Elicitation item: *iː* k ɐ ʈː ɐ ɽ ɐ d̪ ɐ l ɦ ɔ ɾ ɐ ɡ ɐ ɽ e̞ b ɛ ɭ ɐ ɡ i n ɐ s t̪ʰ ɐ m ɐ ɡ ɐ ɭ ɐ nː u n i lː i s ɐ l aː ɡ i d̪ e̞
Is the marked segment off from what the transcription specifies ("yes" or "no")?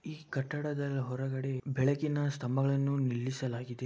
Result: no